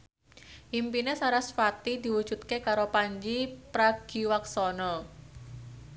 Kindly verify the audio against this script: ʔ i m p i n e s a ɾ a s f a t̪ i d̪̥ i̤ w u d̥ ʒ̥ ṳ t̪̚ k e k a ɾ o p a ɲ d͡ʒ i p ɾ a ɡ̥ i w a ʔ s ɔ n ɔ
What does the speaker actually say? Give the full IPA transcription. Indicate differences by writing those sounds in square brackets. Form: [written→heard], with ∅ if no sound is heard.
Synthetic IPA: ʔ i m p i n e s a ɾ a s f a t̪ i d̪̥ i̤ w u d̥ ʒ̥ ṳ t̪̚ k e k a ɾ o p a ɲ d͡ʒ i p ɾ a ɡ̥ i w a [ʔ→k] s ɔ n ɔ